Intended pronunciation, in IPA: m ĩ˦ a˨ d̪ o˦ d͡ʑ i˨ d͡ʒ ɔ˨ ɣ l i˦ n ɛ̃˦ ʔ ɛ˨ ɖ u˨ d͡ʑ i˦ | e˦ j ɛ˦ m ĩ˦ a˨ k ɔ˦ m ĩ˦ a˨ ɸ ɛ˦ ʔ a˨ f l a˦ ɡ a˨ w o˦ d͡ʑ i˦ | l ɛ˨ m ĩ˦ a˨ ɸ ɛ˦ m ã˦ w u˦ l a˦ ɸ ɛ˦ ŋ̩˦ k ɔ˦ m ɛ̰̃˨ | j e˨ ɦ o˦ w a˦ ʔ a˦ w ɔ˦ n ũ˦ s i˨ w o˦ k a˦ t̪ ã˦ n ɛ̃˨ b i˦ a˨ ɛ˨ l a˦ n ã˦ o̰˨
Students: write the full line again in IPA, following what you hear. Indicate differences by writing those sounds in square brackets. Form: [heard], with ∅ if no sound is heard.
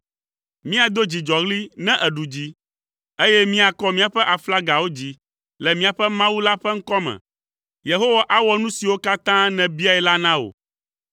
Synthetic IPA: m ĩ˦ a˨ d̪ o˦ d͡ʑ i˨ d͡ʒ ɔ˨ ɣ l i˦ n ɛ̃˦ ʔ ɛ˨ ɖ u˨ d͡ʑ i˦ | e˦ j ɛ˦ m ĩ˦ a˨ k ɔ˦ m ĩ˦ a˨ ɸ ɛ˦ ʔ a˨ f l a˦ ɡ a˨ w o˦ d͡ʑ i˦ | l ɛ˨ m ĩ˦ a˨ ɸ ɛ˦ m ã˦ w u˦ l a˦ ɸ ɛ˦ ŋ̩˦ k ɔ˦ m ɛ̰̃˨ | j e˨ ɦ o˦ w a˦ ʔ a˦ w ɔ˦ n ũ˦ s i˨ w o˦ k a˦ t̪ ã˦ n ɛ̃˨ b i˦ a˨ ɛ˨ l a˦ n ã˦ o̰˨

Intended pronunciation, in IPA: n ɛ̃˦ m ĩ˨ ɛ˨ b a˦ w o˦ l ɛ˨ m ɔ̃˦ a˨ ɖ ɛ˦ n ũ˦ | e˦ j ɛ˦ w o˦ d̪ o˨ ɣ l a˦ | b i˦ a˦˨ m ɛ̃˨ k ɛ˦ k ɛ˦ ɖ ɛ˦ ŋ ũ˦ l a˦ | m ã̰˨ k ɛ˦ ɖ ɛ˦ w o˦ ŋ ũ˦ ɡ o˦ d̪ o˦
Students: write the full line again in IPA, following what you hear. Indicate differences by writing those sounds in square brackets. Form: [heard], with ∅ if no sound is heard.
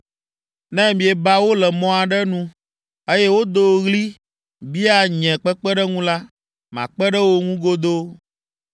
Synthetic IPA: n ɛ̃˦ m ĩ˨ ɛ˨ b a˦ w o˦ l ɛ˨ m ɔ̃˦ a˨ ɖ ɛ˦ n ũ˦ | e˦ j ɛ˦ w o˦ d̪ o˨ ɣ l [i˦] | b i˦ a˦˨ [ɲ] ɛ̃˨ [k͡p] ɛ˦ [k͡p] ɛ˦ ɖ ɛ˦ ŋ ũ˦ l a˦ | m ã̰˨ [k͡p] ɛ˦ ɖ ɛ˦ w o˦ ŋ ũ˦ ɡ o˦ d̪ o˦

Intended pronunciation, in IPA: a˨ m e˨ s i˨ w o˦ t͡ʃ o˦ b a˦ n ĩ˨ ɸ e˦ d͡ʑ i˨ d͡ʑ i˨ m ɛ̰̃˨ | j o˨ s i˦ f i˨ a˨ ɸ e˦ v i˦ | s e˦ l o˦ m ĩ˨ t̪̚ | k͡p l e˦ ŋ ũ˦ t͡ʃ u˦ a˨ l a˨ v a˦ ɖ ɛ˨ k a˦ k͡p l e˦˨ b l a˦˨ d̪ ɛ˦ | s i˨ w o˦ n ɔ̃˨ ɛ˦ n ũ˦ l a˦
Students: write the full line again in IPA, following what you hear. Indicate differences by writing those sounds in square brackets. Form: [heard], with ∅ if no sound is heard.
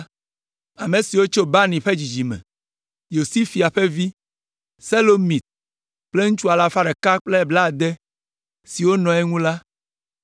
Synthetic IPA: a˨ m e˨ s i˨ w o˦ t͡ʃ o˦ b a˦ n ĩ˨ ɸ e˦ d͡ʑ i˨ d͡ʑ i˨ m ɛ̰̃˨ | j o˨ s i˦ f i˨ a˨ ɸ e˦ v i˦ | s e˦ l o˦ m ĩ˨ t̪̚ | k͡p l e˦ ŋ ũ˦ t͡ʃ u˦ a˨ l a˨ [f] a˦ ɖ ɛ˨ k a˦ k͡p l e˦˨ b l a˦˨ d̪ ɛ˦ | s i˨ w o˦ n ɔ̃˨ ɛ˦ [ŋ] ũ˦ l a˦

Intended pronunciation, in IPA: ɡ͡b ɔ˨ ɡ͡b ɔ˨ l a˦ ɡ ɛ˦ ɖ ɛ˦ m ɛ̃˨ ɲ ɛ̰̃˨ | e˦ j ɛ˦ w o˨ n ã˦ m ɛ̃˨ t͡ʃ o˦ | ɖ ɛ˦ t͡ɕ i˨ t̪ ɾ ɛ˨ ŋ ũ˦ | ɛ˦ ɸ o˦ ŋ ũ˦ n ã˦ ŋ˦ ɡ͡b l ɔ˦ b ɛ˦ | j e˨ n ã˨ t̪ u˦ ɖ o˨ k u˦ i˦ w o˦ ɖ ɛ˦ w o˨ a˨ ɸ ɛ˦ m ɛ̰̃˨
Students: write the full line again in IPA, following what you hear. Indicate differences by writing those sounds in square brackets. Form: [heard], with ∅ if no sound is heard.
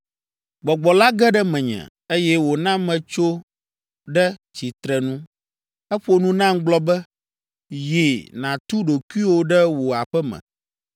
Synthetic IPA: ɡ͡b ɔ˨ ɡ͡b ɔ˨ l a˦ ɡ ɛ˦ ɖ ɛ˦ m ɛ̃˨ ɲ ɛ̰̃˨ | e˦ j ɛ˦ w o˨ n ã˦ m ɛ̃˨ t͡ʃ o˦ | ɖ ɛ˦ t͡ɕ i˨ t̪ ɾ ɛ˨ [n] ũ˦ | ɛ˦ ɸ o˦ [n] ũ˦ n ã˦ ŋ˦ ɡ͡b l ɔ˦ b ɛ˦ | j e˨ n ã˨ t̪ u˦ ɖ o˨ k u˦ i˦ w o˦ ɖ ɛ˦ w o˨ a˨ ɸ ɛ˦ m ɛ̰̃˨

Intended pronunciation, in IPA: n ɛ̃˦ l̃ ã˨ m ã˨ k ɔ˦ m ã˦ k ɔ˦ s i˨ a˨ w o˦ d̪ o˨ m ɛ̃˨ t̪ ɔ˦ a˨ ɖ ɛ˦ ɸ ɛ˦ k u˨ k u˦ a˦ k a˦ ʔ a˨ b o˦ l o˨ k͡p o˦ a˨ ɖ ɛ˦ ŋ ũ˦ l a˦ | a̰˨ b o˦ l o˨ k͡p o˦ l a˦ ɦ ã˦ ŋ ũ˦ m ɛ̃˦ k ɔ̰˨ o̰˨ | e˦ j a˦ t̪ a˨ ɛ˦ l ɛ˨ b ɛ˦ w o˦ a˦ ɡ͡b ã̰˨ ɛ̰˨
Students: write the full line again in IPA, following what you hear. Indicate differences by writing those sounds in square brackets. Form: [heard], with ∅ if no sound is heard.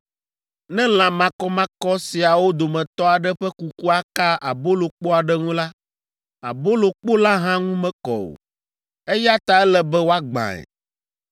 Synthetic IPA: n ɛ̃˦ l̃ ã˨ m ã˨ k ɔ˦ m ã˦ k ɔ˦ s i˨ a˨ w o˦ d̪ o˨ m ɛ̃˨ t̪ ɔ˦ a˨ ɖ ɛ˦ ɸ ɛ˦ k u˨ k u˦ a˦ k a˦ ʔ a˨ b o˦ l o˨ k͡p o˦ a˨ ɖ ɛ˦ ŋ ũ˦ l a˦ | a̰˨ b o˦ l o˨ k͡p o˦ l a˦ ɦ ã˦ ŋ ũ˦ m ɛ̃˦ k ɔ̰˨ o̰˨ | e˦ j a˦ t̪ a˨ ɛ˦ l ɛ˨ b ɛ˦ w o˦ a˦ ɡ͡b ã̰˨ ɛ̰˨

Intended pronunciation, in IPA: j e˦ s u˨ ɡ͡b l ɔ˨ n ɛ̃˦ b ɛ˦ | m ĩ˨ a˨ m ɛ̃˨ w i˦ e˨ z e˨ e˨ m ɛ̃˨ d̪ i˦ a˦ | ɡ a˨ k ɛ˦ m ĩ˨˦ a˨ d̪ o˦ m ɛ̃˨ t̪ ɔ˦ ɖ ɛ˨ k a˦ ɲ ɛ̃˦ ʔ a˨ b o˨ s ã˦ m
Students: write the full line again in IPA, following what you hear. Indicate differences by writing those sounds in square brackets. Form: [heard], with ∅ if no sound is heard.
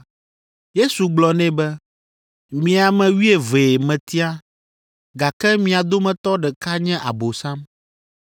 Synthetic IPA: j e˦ s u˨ ɡ͡b l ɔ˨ n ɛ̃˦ b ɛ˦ | m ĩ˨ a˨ m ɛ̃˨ w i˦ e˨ [v] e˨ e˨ m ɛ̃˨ [t̪] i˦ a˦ | ɡ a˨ k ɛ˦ m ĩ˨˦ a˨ d̪ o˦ m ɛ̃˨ t̪ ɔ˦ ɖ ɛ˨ k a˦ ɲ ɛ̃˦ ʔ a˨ b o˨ s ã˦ m

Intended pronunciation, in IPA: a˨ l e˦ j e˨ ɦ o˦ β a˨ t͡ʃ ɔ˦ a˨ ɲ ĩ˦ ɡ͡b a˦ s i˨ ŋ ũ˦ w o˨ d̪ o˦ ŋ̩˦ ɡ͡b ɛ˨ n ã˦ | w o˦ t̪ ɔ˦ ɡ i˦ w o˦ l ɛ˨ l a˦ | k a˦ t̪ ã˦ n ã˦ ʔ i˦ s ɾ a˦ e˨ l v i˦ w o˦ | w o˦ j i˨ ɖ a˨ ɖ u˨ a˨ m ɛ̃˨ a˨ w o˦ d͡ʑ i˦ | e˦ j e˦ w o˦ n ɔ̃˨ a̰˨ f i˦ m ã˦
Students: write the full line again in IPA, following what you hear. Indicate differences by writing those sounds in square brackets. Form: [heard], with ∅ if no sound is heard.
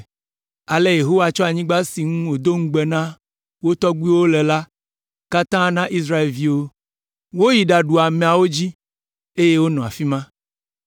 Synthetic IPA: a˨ l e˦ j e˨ ɦ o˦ [w] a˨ t͡ʃ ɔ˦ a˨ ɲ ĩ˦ ɡ͡b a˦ s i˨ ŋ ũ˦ w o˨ d̪ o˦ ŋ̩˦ ɡ͡b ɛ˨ n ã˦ | w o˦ t̪ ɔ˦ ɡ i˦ w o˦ l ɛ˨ l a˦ | k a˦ t̪ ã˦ n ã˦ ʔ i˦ s ɾ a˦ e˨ l v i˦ w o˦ | w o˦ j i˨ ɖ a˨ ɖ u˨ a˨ m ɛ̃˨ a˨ w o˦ d͡ʑ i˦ | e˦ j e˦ w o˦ n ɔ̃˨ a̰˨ f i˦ m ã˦

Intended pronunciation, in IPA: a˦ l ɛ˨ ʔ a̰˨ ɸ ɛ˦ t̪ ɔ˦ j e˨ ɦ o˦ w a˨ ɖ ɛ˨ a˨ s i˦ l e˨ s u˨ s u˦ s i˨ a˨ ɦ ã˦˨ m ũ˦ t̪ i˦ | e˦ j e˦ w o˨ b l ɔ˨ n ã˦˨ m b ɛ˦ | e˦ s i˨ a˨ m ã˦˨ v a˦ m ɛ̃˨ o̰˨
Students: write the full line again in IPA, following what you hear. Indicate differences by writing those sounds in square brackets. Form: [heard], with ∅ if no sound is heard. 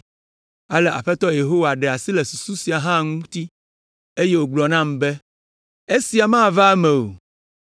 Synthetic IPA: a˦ l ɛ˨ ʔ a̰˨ ɸ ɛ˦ t̪ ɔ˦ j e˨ ɦ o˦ w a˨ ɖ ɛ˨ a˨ s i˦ l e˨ s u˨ s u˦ s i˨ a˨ ɦ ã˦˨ [ŋ] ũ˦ t̪ i˦ | e˦ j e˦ w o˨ [ɡ͡b] l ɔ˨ n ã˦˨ m b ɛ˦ | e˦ s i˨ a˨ m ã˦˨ v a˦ m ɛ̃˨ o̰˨

